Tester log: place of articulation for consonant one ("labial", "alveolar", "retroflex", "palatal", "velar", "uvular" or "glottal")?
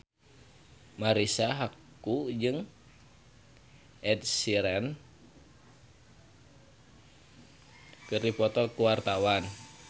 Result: labial